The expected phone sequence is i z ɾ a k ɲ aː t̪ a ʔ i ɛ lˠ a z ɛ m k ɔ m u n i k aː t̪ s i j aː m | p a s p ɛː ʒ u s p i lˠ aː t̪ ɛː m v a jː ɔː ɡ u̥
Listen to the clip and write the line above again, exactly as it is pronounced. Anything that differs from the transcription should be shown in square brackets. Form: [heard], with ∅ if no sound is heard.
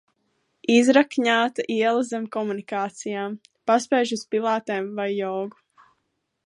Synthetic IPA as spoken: i z ɾ a k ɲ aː t̪ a ʔ i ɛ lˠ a z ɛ m k ɔ m u n i k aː t̪ s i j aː m | p a s p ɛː ʒ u s p i lˠ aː t̪ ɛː m v a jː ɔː ɡ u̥